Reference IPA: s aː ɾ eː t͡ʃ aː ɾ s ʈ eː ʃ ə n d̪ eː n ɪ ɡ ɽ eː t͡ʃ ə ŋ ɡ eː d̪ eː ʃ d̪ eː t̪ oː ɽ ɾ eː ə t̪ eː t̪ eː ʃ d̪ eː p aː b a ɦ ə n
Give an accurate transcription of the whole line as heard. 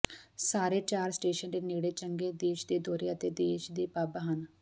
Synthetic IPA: s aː ɾ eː t͡ʃ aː ɾ s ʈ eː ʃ ə n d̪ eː n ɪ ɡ ɽ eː t͡ʃ ə ŋ ɡ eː d̪ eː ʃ d̪ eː d̪ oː ɾ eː ə t̪ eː d̪ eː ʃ d̪ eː p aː b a ɦ ə n